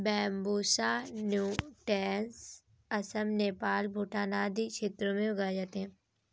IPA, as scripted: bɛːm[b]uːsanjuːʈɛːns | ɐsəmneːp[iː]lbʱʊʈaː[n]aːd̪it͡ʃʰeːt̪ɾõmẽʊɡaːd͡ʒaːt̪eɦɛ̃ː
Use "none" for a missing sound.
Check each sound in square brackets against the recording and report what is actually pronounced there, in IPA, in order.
b, aː, n

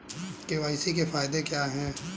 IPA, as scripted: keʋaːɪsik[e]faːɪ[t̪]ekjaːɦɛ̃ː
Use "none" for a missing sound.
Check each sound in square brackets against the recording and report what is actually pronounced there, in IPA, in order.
e, d̪

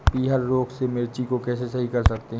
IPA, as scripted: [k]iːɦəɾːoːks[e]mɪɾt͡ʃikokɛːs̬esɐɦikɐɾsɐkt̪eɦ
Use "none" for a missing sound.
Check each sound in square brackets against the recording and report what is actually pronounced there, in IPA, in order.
p, e

